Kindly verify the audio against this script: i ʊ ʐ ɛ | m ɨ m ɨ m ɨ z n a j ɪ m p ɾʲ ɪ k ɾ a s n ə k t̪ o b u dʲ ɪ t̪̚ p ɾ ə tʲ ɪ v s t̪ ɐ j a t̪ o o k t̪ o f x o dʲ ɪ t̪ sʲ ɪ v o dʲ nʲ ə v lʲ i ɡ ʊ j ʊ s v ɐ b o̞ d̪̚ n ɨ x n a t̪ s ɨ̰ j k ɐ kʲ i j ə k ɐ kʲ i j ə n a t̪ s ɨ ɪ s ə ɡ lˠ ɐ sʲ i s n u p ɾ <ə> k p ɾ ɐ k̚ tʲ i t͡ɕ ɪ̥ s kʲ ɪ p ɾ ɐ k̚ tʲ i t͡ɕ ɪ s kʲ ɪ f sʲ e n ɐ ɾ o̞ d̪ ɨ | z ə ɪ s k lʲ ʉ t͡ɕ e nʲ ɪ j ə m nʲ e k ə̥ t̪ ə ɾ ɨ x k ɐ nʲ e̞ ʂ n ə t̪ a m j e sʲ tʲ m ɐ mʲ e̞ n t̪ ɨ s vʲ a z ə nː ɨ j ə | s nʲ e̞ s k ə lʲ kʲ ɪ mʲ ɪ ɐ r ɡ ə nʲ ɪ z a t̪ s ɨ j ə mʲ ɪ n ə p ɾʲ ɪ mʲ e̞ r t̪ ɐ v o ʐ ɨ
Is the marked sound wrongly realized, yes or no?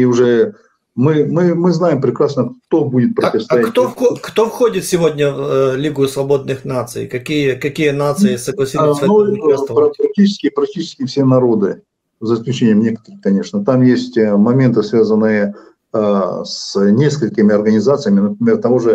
yes